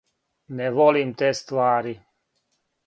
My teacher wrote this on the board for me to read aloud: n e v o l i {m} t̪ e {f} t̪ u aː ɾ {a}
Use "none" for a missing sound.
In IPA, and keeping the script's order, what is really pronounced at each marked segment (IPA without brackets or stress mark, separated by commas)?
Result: m, s, i